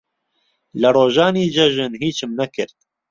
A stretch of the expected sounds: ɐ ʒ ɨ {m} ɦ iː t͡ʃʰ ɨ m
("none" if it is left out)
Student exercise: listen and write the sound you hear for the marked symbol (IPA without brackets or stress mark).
n